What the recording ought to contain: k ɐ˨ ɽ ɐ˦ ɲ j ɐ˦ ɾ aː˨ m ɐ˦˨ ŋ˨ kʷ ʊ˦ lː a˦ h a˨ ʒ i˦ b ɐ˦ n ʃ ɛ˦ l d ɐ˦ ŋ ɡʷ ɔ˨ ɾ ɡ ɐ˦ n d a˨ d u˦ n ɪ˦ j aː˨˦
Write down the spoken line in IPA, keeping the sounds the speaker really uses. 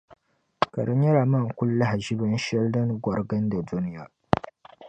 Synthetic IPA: k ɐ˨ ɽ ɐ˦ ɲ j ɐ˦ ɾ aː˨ m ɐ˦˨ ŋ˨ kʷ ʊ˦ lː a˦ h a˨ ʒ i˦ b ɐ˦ n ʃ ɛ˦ l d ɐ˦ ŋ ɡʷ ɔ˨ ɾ ɡ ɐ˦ n d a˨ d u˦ n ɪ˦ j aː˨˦